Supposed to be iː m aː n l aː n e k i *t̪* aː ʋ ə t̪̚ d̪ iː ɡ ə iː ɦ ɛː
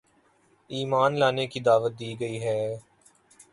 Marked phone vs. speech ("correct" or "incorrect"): incorrect